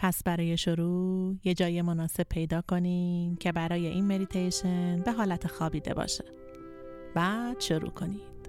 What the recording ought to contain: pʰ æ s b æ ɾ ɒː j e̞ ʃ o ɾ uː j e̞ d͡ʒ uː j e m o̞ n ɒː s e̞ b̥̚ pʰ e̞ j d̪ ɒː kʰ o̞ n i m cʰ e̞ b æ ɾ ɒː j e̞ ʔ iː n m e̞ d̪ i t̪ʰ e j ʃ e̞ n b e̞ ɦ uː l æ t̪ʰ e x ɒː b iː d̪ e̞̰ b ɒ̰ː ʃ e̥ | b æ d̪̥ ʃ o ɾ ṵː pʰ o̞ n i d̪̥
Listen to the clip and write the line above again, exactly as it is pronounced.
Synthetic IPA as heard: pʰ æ s b æ ɾ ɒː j e̞ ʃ o ɾ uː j e̞ d͡ʒ ɒː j e m o̞ n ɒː s e̞ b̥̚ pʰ e̞ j d̪ ɒː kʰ o̞ n i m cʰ e̞ b æ ɾ ɒː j e̞ ʔ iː n m e̞ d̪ i t̪ʰ e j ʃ e̞ n b e̞ ɦ ɒː l æ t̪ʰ e x ɒː b iː d̪ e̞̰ b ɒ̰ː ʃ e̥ | b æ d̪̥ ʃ o ɾ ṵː kʰ o̞ n i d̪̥